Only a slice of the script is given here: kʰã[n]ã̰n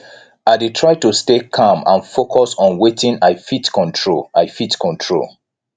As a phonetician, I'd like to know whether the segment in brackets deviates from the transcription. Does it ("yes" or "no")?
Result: yes